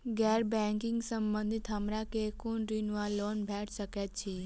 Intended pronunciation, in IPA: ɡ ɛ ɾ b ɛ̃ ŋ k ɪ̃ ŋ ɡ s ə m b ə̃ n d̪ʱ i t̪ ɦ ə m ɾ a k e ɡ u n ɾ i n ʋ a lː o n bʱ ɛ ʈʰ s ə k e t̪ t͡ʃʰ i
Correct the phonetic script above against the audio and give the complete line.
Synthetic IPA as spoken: ɡ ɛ ɾ b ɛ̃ ŋ k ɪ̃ ŋ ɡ s ə m b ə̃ n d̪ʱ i t̪ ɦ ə m ɾ a k e k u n ɾ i n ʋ a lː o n bʱ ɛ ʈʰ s ə k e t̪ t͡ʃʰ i